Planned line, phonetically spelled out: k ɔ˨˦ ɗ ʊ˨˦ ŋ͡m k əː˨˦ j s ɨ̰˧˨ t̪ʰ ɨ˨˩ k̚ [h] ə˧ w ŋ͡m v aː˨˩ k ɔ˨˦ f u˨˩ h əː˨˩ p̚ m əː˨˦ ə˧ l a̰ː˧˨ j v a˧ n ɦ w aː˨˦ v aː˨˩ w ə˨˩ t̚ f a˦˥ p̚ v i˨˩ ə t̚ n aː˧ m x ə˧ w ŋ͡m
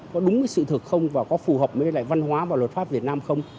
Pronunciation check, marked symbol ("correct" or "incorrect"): incorrect